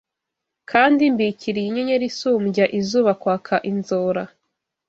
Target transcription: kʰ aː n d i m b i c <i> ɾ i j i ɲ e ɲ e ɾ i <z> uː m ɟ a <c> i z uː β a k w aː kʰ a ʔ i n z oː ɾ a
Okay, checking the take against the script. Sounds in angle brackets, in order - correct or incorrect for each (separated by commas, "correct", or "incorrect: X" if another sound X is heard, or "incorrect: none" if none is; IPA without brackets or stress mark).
correct, incorrect: s, incorrect: ʔ